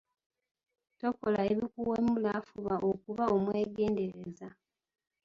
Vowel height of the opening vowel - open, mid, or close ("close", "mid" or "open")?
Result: mid